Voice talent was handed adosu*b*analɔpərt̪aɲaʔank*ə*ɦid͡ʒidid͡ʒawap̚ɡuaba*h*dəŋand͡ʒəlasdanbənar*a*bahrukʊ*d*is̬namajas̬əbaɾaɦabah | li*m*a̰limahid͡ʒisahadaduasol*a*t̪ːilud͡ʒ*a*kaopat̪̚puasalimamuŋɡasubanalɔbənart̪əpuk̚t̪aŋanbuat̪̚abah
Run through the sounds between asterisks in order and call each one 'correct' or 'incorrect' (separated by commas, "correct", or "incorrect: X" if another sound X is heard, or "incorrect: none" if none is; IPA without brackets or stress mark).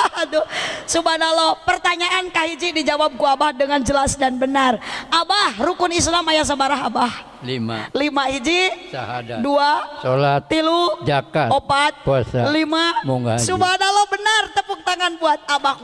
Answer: correct, incorrect: a, correct, correct, incorrect: n, correct, correct, correct